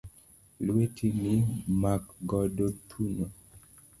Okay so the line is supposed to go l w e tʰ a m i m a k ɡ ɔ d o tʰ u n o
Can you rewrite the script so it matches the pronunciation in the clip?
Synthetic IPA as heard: l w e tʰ i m i m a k ɡ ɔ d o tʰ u n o